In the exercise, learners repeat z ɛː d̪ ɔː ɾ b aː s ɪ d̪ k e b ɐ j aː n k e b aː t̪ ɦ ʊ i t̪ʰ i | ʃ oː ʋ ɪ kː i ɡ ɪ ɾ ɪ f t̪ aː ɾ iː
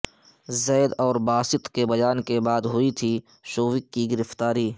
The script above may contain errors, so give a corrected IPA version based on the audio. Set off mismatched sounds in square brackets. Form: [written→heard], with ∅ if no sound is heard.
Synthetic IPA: z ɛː d̪ ɔː ɾ b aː s ɪ [d̪→t̪] k e b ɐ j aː n k e b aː [t̪→d̪] ɦ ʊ i t̪ʰ i | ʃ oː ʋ ɪ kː i ɡ ɪ ɾ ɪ f t̪ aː ɾ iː